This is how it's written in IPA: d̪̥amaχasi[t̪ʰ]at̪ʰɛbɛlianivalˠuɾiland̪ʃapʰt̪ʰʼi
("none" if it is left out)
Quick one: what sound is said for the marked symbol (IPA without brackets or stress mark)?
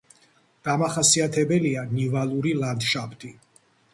none